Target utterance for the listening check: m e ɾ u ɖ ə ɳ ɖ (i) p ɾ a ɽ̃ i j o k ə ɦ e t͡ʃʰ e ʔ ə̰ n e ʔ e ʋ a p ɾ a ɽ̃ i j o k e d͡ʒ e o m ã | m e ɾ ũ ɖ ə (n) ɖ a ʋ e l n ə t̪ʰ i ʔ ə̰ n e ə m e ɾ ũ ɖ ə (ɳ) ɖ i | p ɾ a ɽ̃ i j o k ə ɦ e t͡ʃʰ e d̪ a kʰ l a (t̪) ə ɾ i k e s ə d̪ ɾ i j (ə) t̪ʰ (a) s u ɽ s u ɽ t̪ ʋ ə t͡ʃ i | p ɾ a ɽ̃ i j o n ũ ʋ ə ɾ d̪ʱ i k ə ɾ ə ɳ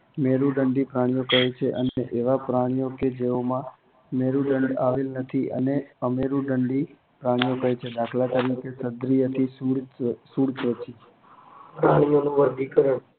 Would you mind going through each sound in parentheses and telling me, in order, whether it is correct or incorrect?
correct, incorrect: ɳ, correct, correct, correct, incorrect: i

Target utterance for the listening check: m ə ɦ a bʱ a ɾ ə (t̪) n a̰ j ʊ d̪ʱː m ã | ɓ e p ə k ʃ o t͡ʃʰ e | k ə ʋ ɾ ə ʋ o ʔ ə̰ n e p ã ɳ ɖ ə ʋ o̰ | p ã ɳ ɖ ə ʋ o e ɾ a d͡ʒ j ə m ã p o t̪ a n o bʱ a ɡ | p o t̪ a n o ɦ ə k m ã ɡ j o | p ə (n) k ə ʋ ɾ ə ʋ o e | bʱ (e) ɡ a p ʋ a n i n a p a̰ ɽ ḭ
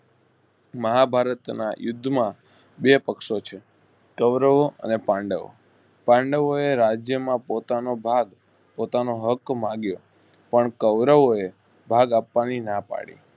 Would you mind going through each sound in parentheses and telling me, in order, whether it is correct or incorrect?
correct, incorrect: ɳ, incorrect: a

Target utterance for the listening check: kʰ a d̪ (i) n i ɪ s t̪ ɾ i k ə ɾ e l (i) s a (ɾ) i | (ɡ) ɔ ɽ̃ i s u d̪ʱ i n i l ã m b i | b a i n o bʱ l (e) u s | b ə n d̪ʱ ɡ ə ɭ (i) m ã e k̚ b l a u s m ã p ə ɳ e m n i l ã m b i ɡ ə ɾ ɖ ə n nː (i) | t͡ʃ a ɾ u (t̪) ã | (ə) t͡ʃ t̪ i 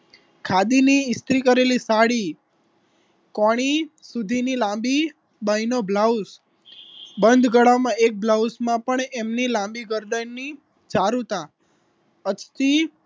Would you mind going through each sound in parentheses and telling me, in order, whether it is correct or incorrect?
correct, correct, incorrect: ɽ, incorrect: k, incorrect: a, incorrect: a, correct, correct, correct

